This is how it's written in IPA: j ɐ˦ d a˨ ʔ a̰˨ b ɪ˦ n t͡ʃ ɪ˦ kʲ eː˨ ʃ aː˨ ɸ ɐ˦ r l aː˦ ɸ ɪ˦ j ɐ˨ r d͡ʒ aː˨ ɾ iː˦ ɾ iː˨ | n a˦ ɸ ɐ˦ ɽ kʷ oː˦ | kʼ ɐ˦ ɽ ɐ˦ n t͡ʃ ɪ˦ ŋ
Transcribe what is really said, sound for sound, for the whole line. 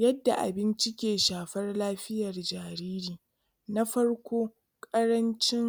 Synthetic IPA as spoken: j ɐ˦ dː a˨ ʔ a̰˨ b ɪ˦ n t͡ʃ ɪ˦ kʲ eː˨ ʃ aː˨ ɸ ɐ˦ r l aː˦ ɸ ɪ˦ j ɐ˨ r d͡ʒ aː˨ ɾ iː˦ ɾ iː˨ | n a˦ ɸ ɐ˦ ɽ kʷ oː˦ | kʼ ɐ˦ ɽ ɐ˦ n t͡ʃ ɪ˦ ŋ